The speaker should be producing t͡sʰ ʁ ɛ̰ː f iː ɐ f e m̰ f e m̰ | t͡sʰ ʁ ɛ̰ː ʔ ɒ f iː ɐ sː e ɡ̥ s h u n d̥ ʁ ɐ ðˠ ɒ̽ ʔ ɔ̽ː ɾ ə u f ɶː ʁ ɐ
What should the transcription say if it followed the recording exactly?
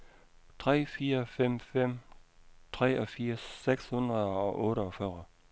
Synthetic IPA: t͡sʰ ʁ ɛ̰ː f iː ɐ f e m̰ f e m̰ | t͡sʰ ʁ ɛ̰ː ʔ ɒ f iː ɐ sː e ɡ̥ s h u n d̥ ʁ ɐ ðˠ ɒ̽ ʔ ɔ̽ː ɾ ə ɒ f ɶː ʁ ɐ